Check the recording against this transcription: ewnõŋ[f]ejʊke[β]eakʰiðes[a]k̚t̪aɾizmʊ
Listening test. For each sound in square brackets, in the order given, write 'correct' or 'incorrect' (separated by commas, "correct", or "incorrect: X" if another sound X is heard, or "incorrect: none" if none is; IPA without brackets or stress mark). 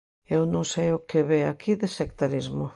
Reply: incorrect: s, correct, incorrect: e